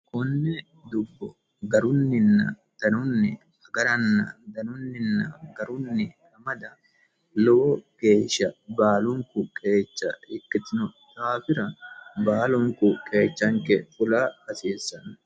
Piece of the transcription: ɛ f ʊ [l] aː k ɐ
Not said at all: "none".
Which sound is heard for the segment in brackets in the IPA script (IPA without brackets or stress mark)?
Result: l